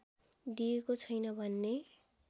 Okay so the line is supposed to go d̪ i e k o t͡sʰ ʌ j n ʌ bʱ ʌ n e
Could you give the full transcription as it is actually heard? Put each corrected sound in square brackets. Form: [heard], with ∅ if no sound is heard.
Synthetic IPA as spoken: d̪ i e k o t͡sʰ ʌ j n ʌ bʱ ʌ [nː] e